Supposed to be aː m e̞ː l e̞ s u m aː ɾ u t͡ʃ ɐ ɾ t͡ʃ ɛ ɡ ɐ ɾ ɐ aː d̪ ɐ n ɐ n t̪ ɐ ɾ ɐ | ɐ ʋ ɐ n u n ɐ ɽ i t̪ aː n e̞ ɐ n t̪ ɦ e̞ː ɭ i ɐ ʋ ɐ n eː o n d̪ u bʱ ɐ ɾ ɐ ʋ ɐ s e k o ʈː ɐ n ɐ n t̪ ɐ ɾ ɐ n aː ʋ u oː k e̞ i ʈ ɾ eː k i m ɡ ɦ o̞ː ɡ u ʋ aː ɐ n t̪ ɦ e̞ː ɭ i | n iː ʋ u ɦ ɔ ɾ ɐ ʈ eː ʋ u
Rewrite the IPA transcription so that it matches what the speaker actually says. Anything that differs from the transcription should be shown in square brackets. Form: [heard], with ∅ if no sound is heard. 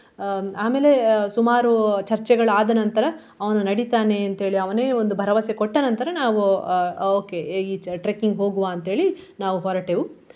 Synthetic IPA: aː m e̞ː l e̞ s u m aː ɾ u t͡ʃ ɐ ɾ t͡ʃ ɛ ɡ ɐ [ɭ] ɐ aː d̪ ɐ n ɐ n t̪ ɐ ɾ ɐ | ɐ ʋ ɐ n u n ɐ ɽ i t̪ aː n e̞ ɐ n t̪ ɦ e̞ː ɭ i ɐ ʋ ɐ n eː o n d̪ u bʱ ɐ ɾ ɐ ʋ ɐ s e k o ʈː ɐ n ɐ n t̪ ɐ ɾ ɐ n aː ʋ u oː k e̞ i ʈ ɾ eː k i [ŋ] ɡ ɦ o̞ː ɡ u ʋ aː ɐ n t̪ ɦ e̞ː ɭ i | n [aː] ʋ u ɦ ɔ ɾ ɐ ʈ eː ʋ u